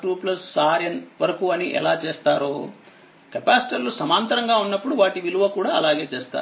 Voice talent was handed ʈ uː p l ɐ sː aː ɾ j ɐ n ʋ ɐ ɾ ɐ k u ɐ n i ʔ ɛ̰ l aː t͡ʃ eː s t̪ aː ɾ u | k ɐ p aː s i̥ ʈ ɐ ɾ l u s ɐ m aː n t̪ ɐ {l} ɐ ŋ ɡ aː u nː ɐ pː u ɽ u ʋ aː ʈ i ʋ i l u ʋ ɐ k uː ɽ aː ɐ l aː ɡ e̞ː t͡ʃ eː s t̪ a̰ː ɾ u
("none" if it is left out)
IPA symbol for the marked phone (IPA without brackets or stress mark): ɾ